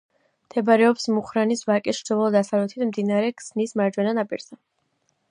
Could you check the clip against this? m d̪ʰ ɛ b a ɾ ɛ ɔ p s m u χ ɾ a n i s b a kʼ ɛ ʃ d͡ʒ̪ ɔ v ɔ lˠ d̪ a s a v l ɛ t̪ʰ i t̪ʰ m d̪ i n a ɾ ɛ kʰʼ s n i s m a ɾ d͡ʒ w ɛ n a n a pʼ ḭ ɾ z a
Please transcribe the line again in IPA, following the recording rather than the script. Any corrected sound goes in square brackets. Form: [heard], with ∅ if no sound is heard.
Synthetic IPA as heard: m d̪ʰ ɛ b a ɾ ɛ ɔ p s m u χ ɾ a n i s [v] a kʼ ɛ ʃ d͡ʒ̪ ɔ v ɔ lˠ d̪ a s a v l ɛ t̪ʰ i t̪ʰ m d̪ i n a ɾ ɛ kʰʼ s n i s m a ɾ d͡ʒ w ɛ n a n a pʼ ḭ ɾ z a